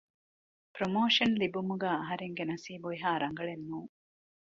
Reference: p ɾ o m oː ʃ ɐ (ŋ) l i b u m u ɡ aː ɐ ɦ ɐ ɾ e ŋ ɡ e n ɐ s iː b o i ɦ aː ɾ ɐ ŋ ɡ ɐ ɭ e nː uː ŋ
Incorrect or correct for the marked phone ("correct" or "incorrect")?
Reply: incorrect